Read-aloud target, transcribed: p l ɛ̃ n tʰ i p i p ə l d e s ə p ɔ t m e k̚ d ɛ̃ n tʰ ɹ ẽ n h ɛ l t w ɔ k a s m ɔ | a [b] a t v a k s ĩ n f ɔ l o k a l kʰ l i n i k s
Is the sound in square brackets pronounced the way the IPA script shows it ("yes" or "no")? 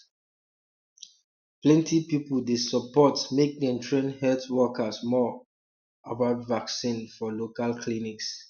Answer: yes